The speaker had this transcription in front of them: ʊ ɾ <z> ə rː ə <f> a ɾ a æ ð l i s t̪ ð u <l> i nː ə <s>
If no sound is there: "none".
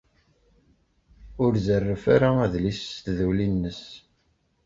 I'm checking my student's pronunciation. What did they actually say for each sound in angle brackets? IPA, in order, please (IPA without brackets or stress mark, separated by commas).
z, f, l, s